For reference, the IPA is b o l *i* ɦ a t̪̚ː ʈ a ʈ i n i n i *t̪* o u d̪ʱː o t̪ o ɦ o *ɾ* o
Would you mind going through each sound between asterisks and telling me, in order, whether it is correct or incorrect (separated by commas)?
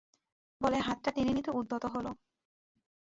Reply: incorrect, correct, incorrect